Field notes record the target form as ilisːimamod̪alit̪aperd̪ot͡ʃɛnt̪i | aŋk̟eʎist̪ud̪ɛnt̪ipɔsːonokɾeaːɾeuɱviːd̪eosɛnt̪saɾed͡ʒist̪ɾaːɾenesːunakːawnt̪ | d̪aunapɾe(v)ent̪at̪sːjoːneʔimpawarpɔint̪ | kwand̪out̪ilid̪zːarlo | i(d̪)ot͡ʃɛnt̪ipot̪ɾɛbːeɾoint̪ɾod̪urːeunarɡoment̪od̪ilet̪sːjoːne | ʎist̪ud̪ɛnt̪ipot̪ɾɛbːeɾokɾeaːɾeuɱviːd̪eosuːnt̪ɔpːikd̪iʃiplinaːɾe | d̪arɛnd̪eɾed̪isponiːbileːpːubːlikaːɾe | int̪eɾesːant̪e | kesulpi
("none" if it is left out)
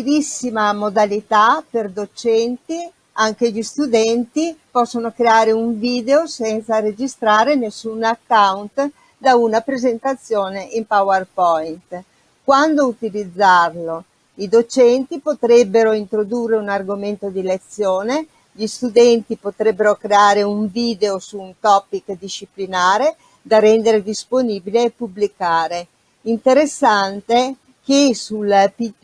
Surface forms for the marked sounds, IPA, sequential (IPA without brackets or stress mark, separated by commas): z, d̪